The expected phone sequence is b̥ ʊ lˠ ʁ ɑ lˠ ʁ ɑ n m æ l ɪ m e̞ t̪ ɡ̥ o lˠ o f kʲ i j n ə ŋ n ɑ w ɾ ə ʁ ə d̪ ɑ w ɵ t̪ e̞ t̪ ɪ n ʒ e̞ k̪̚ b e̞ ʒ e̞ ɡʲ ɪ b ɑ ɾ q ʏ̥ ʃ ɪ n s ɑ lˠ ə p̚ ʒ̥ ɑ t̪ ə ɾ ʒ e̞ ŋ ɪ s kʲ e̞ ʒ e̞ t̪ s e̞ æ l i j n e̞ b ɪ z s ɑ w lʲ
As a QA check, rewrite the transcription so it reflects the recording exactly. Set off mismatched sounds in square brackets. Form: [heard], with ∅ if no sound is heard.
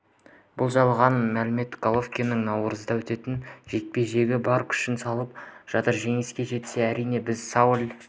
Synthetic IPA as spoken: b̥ ʊ lˠ [ʒ] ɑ lˠ ʁ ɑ n m æ l ɪ m e̞ t̪ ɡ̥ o lˠ o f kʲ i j n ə ŋ n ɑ w ɾ ə [z] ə d̪ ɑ w ɵ t̪ e̞ t̪ ɪ n ʒ e̞ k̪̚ [p] e̞ ʒ e̞ ɡʲ ɪ b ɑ ɾ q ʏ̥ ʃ ɪ n s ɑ lˠ ə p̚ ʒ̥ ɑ t̪ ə ɾ ʒ e̞ ŋ ɪ s kʲ e̞ ʒ e̞ t̪ s e̞ æ [ɾ] i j n e̞ b ɪ z s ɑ w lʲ